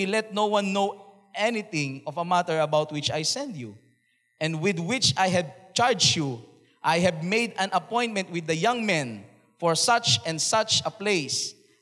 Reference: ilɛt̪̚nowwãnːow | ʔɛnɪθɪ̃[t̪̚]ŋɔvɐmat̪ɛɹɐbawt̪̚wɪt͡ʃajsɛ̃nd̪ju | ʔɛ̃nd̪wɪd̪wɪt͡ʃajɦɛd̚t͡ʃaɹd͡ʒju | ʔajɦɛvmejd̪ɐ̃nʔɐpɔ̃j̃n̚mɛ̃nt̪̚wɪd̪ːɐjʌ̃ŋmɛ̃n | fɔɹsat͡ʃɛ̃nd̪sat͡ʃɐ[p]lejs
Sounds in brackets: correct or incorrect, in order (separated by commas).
incorrect, correct